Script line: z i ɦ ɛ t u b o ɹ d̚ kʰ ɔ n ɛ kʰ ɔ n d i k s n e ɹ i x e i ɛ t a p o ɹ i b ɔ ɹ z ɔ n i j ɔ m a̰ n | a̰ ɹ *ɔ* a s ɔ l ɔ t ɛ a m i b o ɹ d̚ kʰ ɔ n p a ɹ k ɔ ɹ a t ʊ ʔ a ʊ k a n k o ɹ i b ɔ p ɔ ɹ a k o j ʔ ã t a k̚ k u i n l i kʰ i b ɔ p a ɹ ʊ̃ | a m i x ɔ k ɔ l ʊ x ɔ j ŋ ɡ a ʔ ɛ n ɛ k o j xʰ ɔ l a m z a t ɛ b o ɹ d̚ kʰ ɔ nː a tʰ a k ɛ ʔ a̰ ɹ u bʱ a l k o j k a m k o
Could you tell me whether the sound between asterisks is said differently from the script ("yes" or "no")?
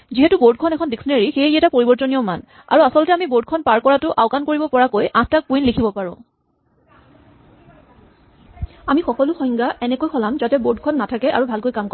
yes